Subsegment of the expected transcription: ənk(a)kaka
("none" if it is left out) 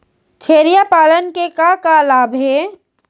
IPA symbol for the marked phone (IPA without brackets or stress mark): e